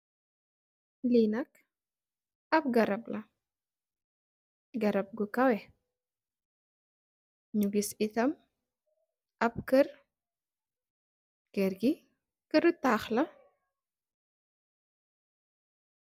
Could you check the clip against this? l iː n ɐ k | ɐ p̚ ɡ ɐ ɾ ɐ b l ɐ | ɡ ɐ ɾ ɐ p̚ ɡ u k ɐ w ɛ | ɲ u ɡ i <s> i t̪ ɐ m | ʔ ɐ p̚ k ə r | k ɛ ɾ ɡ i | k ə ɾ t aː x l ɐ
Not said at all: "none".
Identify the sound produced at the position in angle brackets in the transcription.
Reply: s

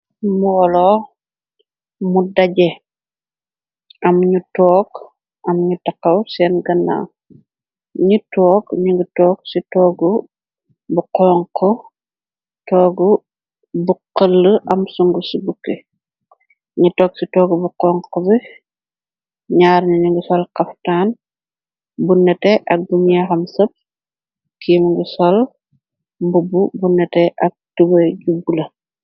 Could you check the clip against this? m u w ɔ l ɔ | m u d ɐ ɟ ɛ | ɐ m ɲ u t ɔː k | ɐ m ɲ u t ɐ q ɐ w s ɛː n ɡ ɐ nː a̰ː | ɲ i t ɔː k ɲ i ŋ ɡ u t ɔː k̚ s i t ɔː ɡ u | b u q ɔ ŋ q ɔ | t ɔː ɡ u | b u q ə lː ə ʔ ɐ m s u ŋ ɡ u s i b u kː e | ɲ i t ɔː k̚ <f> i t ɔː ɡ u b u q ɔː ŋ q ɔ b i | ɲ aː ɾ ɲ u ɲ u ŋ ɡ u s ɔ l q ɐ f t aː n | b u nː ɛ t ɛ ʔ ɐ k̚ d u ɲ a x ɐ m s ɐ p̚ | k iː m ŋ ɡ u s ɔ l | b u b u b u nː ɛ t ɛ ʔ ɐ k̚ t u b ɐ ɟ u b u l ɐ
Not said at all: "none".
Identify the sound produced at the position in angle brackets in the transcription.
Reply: s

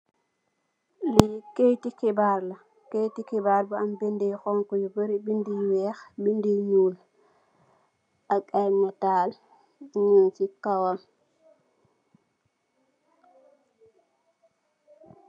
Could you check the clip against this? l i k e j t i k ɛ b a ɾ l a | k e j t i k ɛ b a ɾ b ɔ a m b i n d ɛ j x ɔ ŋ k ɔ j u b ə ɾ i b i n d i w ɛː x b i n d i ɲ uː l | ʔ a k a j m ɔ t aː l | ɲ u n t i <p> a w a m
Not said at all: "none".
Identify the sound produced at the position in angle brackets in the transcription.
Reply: k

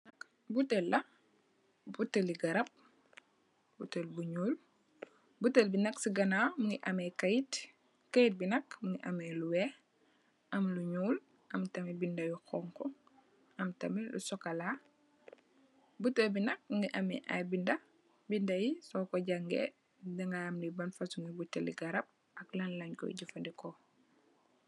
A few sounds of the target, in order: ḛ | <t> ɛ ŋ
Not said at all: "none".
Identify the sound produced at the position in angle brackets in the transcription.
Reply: d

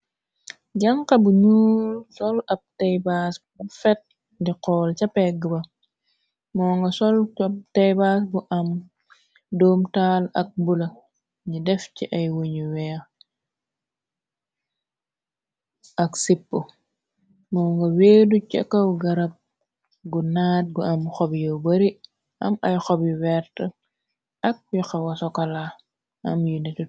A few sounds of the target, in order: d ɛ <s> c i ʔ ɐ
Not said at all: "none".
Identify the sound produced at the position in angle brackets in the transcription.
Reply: f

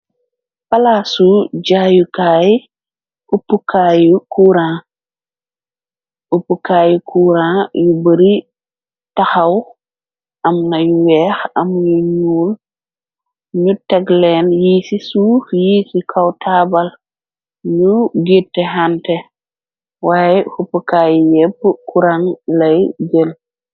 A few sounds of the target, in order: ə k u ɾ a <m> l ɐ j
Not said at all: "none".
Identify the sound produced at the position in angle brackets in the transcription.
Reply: ŋ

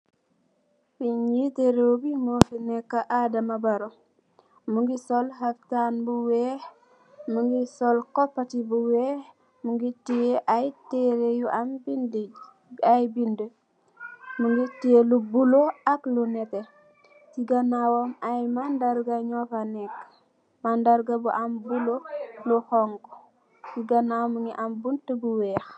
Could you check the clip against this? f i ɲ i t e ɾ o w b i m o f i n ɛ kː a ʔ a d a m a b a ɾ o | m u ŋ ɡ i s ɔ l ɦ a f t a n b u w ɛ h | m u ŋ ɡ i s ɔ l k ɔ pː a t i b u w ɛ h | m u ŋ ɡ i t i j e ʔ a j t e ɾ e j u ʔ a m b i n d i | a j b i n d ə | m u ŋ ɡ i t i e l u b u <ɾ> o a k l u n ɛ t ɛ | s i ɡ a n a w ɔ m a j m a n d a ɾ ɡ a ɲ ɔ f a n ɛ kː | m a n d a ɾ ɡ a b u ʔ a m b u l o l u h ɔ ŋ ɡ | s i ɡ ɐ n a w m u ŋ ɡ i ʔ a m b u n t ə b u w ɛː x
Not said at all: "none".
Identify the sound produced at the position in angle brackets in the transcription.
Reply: l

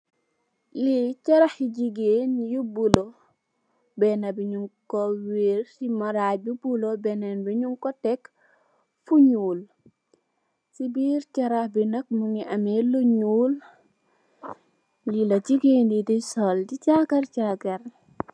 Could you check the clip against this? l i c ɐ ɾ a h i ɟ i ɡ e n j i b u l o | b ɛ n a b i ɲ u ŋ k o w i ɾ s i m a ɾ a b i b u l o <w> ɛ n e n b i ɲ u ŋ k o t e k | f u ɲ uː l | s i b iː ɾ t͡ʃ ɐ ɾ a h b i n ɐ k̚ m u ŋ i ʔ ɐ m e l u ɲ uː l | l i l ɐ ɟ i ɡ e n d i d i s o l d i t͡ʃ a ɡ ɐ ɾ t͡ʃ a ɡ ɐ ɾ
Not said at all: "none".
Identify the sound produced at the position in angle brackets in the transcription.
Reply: b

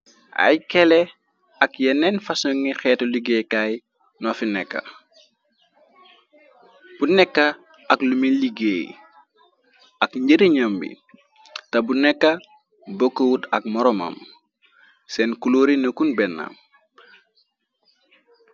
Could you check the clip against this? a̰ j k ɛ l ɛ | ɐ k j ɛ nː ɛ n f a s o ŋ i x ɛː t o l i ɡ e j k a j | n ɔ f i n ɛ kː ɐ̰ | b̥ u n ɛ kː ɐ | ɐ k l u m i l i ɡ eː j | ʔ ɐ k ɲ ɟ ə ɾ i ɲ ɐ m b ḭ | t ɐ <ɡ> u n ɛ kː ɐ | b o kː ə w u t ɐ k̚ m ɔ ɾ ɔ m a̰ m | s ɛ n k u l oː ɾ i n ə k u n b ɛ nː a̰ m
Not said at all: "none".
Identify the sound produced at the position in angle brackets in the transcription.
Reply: b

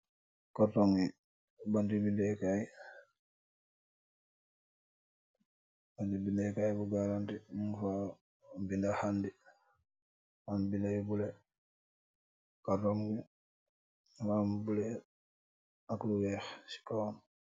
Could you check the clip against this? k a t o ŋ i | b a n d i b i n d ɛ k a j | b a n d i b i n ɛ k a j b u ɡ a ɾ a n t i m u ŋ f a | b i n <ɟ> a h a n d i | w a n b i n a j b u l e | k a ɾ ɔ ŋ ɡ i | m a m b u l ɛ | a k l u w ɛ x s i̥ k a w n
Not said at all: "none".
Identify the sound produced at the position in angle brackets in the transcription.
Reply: d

